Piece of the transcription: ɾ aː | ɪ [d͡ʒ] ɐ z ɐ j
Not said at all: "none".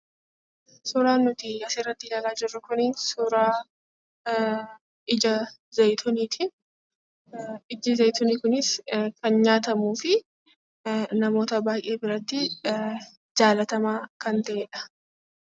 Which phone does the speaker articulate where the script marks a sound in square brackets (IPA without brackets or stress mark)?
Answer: d͡ʒ